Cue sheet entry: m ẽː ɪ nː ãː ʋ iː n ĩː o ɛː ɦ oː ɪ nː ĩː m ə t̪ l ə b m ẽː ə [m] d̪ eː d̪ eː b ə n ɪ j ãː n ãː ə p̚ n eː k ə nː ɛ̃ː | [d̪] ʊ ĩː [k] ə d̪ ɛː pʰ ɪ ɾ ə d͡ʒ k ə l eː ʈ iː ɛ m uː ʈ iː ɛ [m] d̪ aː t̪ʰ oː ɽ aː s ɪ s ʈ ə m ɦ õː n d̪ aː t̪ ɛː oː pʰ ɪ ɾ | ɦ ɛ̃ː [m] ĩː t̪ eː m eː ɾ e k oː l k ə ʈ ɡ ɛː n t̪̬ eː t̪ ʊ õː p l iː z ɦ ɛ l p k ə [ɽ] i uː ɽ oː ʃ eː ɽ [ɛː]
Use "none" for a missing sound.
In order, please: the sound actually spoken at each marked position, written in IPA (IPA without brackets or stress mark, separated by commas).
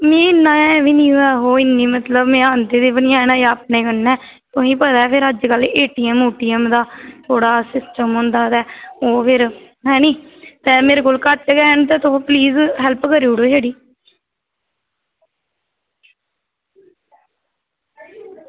n, t̪, p, m, n, ɾ, iː